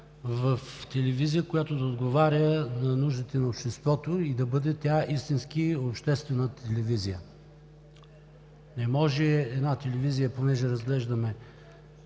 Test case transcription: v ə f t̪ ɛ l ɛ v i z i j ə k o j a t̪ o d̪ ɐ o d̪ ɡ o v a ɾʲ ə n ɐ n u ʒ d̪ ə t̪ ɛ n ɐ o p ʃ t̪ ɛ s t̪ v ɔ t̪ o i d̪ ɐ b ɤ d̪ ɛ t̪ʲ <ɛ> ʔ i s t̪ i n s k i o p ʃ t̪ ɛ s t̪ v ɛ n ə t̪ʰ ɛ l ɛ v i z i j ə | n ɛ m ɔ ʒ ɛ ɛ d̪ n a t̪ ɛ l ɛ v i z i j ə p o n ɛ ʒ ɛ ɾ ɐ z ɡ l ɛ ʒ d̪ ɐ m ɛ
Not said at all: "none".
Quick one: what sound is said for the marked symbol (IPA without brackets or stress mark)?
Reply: a